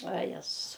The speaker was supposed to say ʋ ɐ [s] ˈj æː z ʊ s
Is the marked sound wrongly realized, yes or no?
yes